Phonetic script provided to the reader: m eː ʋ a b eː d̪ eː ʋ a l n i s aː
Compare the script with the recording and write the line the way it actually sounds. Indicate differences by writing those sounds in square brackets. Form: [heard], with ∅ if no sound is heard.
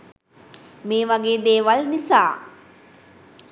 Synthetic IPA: m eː ʋ a [ɡ] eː d̪ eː ʋ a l n i s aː